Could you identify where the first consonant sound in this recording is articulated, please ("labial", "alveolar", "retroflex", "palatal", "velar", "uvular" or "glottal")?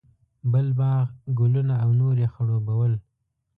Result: labial